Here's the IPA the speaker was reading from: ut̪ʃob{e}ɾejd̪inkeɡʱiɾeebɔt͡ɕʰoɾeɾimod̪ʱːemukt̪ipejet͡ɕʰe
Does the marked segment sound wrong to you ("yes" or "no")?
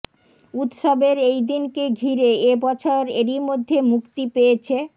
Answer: no